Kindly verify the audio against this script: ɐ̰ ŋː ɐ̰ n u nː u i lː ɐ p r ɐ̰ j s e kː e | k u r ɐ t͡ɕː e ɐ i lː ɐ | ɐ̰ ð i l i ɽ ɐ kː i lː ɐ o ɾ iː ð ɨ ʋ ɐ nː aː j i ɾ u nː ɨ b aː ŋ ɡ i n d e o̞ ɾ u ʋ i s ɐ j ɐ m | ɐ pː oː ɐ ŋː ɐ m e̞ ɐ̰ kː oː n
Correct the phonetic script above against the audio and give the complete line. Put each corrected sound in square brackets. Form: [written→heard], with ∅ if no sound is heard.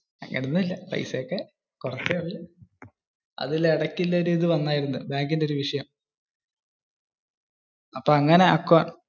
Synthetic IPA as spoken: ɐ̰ ŋː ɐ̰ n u nː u i lː ɐ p r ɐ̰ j s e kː e | k u r ɐ t͡ɕː e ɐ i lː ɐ | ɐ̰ ð i l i ɽ ɐ kː i lː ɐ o ɾ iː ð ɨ ʋ ɐ nː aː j i ɾ u nː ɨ b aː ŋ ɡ i n d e o̞ ɾ u ʋ i [s→ʂ] ɐ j ɐ m | ɐ pː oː ɐ ŋː ɐ [m→n] e̞ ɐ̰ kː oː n